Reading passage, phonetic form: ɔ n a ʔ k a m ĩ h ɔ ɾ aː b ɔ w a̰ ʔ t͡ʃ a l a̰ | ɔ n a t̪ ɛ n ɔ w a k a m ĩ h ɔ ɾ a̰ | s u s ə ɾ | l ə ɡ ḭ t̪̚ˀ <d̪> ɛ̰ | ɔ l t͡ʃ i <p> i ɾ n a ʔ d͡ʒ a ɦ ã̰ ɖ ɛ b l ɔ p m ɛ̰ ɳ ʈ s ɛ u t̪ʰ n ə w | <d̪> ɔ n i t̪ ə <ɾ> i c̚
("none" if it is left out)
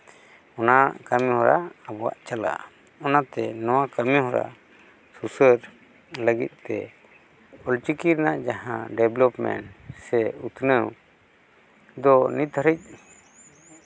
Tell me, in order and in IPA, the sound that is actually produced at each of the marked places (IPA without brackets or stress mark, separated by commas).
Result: t̪, k, d̪, ɾ